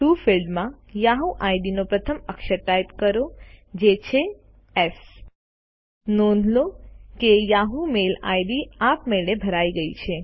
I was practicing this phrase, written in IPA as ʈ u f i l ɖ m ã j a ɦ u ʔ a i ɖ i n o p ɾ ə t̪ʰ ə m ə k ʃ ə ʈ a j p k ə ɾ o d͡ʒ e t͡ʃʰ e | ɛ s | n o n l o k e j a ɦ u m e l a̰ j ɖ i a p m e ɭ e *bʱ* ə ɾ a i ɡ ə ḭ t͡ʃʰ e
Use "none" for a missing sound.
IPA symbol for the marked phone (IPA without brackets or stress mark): bʱ